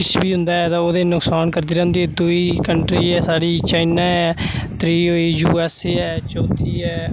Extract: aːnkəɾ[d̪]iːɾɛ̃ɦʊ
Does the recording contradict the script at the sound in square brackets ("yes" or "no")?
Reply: no